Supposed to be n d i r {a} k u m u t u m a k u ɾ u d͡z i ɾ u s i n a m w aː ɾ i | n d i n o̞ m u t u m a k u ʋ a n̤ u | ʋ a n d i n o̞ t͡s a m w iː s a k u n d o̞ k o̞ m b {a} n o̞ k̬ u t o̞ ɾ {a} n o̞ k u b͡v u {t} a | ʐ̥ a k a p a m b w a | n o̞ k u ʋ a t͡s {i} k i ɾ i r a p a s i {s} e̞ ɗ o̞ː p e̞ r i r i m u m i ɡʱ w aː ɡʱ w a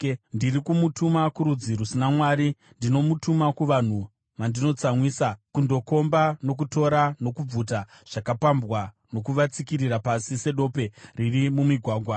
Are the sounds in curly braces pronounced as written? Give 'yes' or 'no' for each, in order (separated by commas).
no, yes, yes, yes, yes, yes